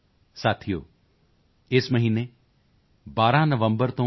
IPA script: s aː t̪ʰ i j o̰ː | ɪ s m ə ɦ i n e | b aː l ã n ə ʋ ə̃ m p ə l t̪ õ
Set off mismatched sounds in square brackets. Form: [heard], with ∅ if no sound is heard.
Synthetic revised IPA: s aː t̪ʰ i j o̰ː | ɪ s m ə ɦ [iː] n e | b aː [ɾ] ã n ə ʋ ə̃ m [b] ə [ɾ] t̪ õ